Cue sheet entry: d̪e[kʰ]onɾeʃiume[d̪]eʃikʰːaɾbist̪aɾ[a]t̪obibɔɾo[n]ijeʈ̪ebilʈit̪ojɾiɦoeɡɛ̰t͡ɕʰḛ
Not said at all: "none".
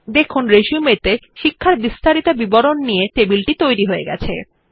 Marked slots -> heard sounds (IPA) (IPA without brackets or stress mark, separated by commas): kʰ, t̪, i, nː